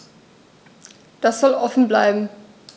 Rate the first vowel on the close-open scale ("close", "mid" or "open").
open